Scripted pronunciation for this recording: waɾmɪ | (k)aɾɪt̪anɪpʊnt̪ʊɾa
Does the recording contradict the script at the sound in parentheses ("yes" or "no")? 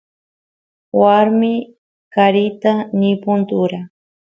no